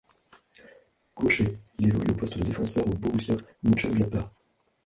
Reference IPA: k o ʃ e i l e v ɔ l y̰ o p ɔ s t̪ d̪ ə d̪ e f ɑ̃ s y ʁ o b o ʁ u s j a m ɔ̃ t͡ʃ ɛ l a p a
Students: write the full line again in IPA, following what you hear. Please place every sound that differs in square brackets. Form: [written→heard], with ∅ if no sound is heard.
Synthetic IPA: k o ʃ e i l e v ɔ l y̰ o p ɔ s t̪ d̪ ə d̪ e f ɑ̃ s [y→œ] ʁ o b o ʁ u s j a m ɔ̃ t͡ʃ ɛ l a p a

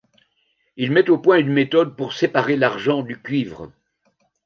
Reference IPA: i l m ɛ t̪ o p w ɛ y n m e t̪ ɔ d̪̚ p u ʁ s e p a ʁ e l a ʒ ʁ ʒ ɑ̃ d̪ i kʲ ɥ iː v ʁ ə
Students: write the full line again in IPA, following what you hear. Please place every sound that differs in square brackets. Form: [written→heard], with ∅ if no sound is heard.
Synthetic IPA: i l m ɛ t̪ o p w [ɛ→ɛ̃] y n m e t̪ ɔ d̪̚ p u ʁ s e p a ʁ e l a [ʒ→∅] ʁ ʒ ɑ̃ d̪ [i→y] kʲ ɥ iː v ʁ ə

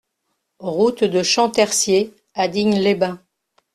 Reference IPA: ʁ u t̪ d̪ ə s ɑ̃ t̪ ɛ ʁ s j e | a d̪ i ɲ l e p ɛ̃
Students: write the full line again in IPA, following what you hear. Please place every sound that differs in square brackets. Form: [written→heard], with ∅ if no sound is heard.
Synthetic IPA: ʁ u t̪ d̪ ə [s→ʃ] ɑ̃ t̪ ɛ ʁ s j e | a d̪ i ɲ l e [p→b] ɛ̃

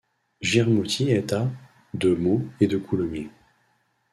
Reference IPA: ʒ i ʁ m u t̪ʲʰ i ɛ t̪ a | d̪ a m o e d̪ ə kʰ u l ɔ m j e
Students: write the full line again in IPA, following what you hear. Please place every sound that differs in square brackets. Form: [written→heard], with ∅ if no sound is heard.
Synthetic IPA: ʒ i ʁ m u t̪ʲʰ i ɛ t̪ a | d̪ [a→ə] m o e d̪ ə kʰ u l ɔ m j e

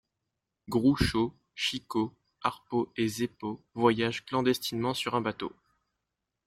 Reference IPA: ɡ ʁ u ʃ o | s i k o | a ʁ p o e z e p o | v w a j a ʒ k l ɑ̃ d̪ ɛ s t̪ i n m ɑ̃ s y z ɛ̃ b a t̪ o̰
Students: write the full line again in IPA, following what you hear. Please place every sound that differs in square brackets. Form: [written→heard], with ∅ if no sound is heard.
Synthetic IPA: ɡ ʁ u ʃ o | [s→ʃ] i k o | a ʁ p o e z e p o | v w a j a ʒ k l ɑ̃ d̪ ɛ s t̪ i n m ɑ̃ s y [z→ʁ] ɛ̃ b a t̪ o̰

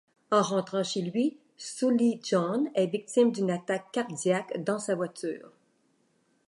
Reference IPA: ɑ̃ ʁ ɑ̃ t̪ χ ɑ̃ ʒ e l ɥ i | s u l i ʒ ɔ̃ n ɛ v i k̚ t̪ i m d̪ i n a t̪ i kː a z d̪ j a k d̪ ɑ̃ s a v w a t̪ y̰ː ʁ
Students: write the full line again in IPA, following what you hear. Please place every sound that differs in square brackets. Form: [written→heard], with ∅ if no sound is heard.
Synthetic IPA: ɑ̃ ʁ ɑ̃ t̪ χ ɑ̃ [ʒ→ʃ] e l ɥ i | s u l i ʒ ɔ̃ n ɛ v i k̚ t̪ i m d̪ [i→y] n a t̪ [i→a] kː a [z→ʁ] d̪ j a k d̪ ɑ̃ s a v w a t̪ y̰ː ʁ

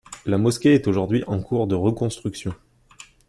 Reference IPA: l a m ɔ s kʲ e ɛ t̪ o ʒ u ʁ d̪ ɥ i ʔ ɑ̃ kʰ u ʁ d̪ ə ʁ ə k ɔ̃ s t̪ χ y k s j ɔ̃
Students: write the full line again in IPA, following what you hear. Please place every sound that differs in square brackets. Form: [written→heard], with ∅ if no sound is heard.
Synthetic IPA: l a m ɔ s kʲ e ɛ t̪ o ʒ u ʁ d̪ ɥ i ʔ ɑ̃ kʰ u ʁ d̪ ə ʁ ə k ɔ̃ s t̪ χ y k s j ɔ̃

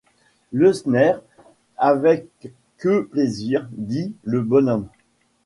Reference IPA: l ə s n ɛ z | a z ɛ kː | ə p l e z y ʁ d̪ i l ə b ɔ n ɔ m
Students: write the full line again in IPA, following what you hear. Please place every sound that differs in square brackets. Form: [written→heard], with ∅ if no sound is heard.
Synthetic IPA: l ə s n ɛ [z→ʁ] | a [z→v] ɛ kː | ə p l e z [y→i] ʁ d̪ i l ə b ɔ n ɔ m

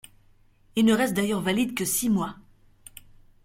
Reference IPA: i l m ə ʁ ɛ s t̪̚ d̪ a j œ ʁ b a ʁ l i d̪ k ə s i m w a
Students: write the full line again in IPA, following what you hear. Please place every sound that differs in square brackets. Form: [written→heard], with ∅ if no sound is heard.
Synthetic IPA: i l [m→n] ə ʁ ɛ s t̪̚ d̪ a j œ ʁ [b→v] a [ʁ→∅] l i d̪ k ə s i m w a

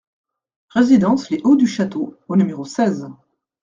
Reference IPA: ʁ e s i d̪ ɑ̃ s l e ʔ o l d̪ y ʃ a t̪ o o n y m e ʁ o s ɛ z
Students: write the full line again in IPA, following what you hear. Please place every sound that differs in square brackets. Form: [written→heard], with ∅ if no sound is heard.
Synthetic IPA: ʁ e [s→z] i d̪ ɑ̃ s l e ʔ o [l→∅] d̪ y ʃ a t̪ o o n y m e ʁ o s ɛ z

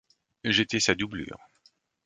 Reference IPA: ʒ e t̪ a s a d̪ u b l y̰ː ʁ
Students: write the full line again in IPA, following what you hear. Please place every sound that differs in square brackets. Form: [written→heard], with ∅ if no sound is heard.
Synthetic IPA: ʒ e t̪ [a→ɛ] s a d̪ u b l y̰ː ʁ

